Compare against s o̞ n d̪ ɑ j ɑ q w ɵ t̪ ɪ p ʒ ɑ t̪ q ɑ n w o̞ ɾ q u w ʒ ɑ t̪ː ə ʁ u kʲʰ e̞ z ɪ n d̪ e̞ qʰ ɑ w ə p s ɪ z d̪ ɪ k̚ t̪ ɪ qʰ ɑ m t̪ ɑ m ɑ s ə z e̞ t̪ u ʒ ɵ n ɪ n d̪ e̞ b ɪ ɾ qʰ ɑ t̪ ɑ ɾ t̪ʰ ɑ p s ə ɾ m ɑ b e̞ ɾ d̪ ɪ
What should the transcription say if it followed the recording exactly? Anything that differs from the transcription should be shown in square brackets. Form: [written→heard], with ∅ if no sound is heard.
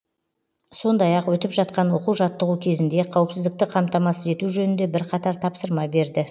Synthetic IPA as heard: s o̞ n d̪ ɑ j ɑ q w ɵ t̪ ɪ p ʒ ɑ t̪ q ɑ n w o̞ [ɾ→∅] q u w ʒ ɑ t̪ː ə ʁ u kʲʰ e̞ z ɪ n d̪ e̞ qʰ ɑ w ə p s ɪ z d̪ ɪ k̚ t̪ ɪ qʰ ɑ m t̪ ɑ m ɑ s ə z e̞ t̪ u ʒ ɵ n ɪ n d̪ e̞ b ɪ ɾ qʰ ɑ t̪ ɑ ɾ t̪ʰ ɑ p s ə ɾ m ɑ b e̞ ɾ d̪ ɪ